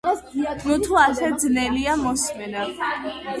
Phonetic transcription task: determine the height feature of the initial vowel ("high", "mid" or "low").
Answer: high